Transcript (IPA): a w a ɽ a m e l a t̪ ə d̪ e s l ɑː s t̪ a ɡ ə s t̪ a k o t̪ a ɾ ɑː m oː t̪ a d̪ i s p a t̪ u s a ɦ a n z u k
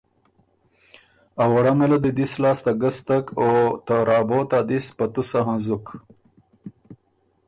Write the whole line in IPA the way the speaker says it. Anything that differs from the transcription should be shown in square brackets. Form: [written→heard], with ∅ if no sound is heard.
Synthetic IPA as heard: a w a ɽ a m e l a [t̪→d̪] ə d̪ [e→i] s l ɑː s t̪ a ɡ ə s t̪ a k o t̪ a ɾ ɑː [m→b] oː t̪ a d̪ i s p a t̪ u s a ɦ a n z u k